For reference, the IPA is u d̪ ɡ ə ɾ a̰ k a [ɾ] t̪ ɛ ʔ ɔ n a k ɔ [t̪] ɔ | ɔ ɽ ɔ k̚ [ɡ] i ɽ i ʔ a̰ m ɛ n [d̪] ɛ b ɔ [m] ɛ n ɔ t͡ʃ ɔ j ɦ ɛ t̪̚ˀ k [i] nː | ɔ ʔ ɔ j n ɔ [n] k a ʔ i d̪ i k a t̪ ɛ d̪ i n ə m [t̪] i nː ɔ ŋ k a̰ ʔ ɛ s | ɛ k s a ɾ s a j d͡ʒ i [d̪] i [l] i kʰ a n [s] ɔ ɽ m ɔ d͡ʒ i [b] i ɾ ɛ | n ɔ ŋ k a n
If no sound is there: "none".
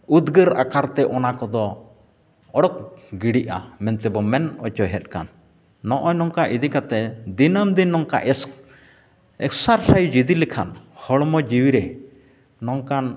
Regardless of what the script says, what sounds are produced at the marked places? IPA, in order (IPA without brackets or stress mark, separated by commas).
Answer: ɾ, d̪, ɡ, t̪, m, a, ŋ, d̪, d̪, l, h, w